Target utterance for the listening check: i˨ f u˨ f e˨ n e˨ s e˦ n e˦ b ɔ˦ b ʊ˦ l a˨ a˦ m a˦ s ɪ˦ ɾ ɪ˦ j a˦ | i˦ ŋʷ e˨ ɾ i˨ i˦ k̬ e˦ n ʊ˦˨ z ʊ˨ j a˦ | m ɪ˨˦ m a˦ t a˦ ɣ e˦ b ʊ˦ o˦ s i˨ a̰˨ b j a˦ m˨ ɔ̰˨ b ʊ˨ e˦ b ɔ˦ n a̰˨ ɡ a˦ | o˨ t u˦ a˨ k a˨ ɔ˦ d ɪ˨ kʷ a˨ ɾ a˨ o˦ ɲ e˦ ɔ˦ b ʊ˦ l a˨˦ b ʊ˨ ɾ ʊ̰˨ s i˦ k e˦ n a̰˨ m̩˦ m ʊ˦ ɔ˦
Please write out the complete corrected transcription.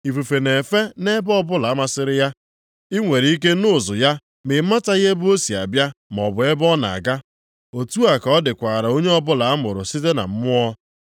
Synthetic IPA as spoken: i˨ f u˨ f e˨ n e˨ f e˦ n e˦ b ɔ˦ b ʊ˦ l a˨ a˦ m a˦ s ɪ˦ ɾ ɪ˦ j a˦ | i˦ ŋʷ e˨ ɾ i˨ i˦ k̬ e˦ n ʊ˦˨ z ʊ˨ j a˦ | m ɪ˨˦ m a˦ t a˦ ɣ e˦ b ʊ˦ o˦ s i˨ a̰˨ b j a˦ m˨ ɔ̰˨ b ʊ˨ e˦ b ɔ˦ n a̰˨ ɡ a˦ | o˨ t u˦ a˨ k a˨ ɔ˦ d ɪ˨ kʷ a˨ ɾ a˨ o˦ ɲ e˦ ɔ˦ b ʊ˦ l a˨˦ m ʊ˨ ɾ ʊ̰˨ s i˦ t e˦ n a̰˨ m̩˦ m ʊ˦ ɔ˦

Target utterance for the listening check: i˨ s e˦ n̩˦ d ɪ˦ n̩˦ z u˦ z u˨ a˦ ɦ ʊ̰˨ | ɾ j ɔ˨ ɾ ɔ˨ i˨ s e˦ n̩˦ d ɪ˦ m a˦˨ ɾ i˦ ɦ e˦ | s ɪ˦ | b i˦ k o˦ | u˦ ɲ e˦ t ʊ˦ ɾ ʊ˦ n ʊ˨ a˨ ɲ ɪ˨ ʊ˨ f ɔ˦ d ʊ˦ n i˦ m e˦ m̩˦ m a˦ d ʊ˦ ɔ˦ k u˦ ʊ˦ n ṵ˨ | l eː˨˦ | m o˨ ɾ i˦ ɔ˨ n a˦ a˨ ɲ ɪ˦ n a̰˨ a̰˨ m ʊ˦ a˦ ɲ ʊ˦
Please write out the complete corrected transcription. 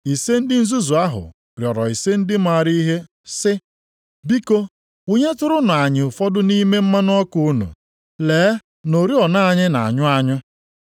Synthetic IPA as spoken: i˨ s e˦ n̩˦ d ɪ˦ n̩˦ z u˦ z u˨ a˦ ɦ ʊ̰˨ | ɾ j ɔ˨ ɾ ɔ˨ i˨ s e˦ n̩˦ d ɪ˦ m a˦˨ ɾ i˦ ɦ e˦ | s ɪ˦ | b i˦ k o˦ | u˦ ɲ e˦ t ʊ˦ ɾ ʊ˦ n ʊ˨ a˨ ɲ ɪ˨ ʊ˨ f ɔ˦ d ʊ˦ n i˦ m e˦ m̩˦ m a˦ n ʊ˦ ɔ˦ k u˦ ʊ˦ n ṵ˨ | l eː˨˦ | n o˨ ɾ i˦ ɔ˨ n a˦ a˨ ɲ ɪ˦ n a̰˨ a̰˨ ɲ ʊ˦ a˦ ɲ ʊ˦

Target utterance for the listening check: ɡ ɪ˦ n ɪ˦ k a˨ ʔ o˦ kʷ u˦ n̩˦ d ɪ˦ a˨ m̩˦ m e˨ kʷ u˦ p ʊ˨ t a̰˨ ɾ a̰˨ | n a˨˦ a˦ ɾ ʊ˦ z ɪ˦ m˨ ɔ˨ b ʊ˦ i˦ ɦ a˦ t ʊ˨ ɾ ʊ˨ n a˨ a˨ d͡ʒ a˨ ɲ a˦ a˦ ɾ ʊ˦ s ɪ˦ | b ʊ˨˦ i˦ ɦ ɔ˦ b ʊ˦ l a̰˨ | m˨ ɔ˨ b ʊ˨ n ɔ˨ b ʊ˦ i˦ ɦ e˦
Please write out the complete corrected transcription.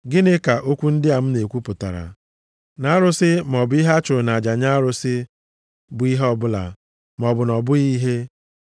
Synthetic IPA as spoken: ɡ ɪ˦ n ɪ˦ k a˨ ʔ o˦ kʷ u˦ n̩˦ d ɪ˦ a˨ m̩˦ n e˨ kʷ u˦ p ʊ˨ t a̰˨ ɾ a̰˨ | n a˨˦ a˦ ɾ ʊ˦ s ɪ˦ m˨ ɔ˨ b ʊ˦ i˦ ɦ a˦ t͡ʃ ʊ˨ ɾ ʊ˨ n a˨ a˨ d͡ʒ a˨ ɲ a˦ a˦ ɾ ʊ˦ s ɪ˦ | b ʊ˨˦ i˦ ɦ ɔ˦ b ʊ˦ l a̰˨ | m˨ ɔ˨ b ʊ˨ n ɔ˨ b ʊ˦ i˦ ɦ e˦

